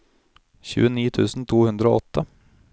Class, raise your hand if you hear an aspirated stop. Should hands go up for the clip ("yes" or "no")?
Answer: yes